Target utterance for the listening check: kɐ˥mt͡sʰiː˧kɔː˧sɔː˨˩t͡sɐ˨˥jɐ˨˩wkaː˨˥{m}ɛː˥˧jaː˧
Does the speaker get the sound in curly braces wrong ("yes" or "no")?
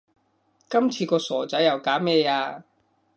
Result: no